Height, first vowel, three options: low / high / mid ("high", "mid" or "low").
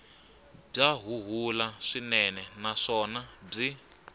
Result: low